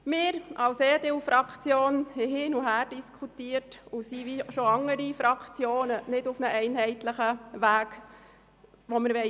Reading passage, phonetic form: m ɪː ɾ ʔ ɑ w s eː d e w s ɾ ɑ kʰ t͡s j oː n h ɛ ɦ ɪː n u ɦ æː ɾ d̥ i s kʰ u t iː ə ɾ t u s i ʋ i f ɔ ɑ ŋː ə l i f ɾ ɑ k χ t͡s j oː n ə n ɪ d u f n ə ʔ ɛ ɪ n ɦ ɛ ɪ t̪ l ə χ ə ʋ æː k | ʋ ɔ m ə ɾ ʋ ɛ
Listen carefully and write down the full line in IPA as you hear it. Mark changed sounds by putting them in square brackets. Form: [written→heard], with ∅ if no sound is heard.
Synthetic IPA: m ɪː ɾ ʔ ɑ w s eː d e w [s→f] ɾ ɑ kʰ t͡s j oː n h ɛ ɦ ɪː n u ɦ æː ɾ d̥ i s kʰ u t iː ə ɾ t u s i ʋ i [f→ʃ] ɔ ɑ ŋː ə [l→ɾ] i f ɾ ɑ k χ t͡s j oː n ə n ɪ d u f n ə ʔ ɛ ɪ n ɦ ɛ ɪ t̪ l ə χ ə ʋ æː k | ʋ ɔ m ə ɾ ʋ ɛ

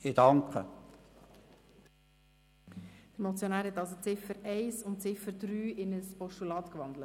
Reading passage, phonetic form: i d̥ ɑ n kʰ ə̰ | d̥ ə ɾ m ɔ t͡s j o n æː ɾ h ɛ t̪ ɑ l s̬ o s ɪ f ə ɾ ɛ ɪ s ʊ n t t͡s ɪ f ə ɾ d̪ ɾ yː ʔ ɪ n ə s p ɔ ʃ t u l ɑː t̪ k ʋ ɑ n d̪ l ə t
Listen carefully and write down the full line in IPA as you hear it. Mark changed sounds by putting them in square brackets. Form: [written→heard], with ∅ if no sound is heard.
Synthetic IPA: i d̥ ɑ [n→ŋ] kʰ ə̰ | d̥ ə ɾ m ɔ t͡s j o n æː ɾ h ɛ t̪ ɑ l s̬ o [s→t͡s] ɪ f ə ɾ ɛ ɪ s ʊ n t t͡s ɪ f ə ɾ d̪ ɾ yː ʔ ɪ n ə s p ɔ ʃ t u l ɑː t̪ k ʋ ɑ n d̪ l ə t

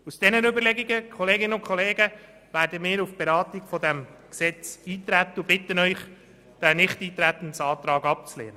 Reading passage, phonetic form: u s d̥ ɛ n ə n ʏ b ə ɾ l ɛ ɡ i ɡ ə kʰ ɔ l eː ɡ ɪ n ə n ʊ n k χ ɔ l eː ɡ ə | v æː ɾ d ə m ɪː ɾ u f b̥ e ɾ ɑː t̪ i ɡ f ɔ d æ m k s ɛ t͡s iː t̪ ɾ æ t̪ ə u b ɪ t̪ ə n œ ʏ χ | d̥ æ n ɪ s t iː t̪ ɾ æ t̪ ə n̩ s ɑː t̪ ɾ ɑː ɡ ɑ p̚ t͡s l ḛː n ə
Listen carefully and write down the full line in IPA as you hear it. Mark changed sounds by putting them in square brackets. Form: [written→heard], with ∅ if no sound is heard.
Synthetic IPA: u s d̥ ɛ n ə n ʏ b ə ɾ l ɛ ɡ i ɡ ə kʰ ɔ l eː ɡ ɪ n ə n ʊ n k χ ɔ l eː ɡ ə | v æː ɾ d ə m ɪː ɾ u f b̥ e ɾ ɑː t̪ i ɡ f ɔ d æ m k s ɛ t͡s iː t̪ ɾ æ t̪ ə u b ɪ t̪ ə n œ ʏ χ | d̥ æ n ɪ [s→χ] t iː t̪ ɾ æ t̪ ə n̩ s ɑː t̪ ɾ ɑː ɡ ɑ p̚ t͡s l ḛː n ə

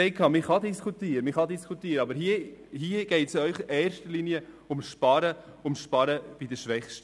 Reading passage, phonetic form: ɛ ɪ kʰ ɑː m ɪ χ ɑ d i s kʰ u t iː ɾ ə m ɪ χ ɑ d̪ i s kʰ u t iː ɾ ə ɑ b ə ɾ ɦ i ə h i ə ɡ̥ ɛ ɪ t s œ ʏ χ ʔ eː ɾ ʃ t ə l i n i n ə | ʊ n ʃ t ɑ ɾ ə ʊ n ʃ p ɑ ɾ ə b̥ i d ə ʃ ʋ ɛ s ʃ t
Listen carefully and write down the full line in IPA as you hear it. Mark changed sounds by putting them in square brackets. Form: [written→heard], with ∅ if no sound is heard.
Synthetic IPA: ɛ ɪ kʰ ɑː m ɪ χ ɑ d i s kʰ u t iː ɾ ə m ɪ χ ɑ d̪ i s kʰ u t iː ɾ ə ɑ b ə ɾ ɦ i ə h i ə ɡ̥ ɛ ɪ t s œ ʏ χ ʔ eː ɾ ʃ t ə l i n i [n→∅] ə | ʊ [n→m] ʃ [t→p] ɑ ɾ ə ʊ [n→m] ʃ p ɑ ɾ ə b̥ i d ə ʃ ʋ ɛ [s→χ] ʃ t

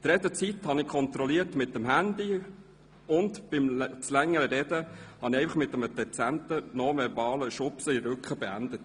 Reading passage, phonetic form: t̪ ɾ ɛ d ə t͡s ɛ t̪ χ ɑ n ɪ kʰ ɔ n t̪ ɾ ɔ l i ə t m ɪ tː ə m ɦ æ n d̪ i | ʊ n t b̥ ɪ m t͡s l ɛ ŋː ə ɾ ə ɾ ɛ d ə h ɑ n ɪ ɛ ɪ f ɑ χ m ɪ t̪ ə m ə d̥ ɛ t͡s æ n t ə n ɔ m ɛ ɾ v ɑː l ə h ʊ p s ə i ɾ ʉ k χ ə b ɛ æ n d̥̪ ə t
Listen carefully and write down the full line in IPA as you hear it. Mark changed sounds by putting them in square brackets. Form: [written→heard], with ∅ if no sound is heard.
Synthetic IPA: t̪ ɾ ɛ d ə t͡s [ɛ→i] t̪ [χ→h] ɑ n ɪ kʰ ɔ n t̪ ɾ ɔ l i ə t m ɪ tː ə m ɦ æ n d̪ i | ʊ n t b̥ ɪ m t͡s l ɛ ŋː ə ɾ ə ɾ ɛ d ə h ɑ n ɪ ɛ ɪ f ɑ χ m ɪ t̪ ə m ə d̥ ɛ t͡s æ n t ə n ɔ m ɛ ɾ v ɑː l ə [h→ʃ] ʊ p s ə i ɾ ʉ k χ ə b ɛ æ n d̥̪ ə t

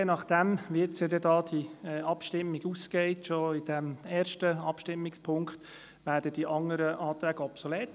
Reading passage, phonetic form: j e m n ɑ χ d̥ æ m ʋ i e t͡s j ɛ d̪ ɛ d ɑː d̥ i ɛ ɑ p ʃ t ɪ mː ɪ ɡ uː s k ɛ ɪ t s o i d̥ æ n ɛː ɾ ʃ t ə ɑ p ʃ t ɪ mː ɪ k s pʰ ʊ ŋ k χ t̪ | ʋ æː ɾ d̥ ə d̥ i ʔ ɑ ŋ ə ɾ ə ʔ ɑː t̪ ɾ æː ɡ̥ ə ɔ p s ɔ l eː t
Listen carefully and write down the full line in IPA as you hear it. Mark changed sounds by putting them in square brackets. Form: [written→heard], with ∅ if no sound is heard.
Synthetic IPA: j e [m→∅] n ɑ χ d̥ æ m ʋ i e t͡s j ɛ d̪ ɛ d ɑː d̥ i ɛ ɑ p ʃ t ɪ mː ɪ ɡ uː s k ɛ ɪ t [s→ʃ] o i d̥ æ [n→m] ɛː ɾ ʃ t ə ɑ p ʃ t ɪ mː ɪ k s pʰ ʊ ŋ k χ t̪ | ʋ æː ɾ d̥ ə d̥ i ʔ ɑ ŋ ə ɾ ə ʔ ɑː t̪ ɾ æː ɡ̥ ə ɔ p s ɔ l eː t

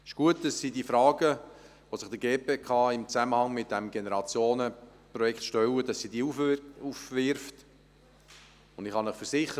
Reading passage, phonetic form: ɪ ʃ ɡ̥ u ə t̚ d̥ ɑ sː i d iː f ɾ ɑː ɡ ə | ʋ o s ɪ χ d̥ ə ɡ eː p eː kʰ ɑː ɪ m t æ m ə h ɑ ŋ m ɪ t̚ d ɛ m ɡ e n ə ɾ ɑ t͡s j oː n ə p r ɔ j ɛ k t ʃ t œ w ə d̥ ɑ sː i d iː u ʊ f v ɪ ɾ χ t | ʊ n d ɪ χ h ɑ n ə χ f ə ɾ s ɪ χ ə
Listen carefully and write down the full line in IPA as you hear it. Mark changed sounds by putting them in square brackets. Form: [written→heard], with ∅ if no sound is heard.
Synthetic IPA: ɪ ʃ ɡ̥ u ə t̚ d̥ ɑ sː i d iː f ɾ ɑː ɡ ə | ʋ o s ɪ χ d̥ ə ɡ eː p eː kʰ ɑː ɪ m [t→t͡s] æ m ə h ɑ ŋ m ɪ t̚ d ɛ m ɡ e n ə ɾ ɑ t͡s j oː n ə p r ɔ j ɛ k t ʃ t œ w ə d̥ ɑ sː i d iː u [ʊ→u] f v ɪ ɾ [χ→f] t | ʊ n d ɪ χ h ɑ n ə χ f ə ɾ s ɪ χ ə

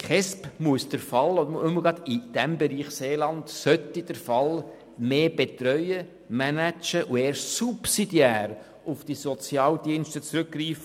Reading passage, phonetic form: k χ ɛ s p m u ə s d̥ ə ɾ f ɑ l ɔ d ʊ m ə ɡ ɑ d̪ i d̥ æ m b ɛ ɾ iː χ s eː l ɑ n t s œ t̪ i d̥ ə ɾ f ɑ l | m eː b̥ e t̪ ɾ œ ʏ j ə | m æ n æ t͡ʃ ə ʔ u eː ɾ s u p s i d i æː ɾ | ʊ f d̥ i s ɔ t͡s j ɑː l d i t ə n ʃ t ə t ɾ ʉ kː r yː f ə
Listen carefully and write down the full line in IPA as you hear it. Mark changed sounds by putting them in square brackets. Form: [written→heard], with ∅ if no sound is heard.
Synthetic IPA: k χ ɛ s p m u ə s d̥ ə ɾ f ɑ l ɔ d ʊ m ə ɡ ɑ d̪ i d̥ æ m b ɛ ɾ iː χ s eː l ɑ n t s œ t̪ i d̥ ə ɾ f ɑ l | m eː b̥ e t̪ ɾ œ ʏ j ə | m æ n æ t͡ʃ ə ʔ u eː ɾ s u p s i d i æː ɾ | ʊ f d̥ i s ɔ t͡s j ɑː l d i [t→∅] ə n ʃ t ə [t→t͡s] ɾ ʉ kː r [yː→iː] f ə

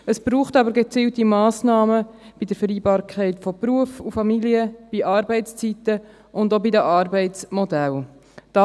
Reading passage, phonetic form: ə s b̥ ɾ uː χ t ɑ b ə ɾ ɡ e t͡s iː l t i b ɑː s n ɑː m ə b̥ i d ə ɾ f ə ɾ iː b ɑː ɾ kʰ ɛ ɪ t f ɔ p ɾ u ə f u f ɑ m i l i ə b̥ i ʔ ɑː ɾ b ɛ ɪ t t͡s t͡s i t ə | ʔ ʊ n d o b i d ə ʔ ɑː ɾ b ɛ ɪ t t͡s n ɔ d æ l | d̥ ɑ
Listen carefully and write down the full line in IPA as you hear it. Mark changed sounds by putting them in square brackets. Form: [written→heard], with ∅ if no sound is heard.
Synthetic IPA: ə s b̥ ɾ uː χ t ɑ b ə ɾ ɡ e t͡s iː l t i [b→m] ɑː s n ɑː m ə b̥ i d ə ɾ f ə ɾ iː b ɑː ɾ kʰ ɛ ɪ t f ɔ p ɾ u ə f u f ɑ m i l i ə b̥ i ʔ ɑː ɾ b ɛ ɪ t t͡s t͡s i t ə | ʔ ʊ n d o b i d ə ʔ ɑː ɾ b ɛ ɪ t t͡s [n→m] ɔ d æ l | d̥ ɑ

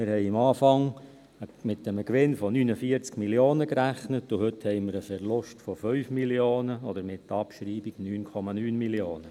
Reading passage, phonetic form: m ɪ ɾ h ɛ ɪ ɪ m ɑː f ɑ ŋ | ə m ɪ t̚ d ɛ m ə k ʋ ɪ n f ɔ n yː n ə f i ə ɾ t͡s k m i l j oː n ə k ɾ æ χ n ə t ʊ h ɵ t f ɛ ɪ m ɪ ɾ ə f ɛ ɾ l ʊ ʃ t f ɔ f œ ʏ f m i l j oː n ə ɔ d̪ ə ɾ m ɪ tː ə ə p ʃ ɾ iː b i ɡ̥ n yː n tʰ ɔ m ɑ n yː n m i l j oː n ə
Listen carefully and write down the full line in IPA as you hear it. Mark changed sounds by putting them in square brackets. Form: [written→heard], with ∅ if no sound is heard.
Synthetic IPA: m ɪ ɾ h ɛ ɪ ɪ m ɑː f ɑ ŋ | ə m ɪ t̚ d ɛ m ə k ʋ ɪ n f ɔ n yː n ə f i ə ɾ t͡s k m i l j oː n ə k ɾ æ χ n ə t ʊ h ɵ t [f→h] ɛ ɪ m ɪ ɾ ə f ɛ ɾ l ʊ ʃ t f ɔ f œ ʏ f m i l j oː n ə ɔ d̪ ə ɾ m ɪ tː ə [ə→ɑ] p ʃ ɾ iː b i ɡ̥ n yː n [tʰ→kʰ] ɔ m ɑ n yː n m i l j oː n ə

